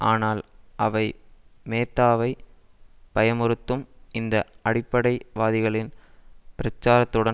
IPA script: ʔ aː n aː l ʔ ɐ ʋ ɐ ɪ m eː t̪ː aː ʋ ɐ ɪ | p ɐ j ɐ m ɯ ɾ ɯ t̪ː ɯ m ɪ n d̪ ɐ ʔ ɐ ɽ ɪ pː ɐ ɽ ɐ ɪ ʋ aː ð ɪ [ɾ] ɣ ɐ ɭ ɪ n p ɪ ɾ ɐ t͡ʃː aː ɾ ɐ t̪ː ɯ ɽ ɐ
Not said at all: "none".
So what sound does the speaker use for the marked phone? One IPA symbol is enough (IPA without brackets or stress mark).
none